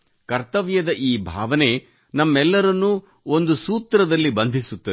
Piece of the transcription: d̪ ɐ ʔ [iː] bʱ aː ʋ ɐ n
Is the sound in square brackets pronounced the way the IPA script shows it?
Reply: yes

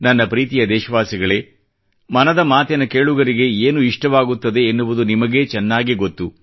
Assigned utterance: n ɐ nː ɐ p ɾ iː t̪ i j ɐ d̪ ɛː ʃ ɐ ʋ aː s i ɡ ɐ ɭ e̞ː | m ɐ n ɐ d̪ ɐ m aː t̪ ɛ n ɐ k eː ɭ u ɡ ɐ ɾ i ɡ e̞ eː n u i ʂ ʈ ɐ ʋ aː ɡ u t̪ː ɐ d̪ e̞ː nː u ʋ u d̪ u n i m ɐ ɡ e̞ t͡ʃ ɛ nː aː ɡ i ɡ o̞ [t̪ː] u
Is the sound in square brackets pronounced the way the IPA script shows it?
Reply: yes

